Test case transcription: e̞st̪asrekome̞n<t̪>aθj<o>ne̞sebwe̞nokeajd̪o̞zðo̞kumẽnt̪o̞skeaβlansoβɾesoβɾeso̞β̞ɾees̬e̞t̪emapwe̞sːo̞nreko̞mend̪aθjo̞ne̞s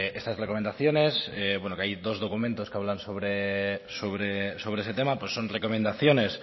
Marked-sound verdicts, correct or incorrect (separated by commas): incorrect, correct